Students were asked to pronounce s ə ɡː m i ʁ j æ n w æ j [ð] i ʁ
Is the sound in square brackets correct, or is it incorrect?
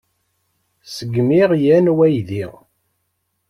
correct